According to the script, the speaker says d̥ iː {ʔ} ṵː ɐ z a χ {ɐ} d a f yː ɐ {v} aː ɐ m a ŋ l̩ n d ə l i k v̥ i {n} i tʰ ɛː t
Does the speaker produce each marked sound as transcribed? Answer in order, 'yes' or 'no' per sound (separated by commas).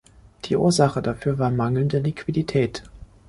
yes, no, yes, no